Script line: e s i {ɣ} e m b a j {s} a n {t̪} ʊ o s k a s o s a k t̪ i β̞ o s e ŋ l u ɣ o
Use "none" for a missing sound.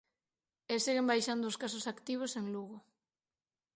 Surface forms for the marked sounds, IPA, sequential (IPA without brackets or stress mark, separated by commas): ɣ, ʃ, d̪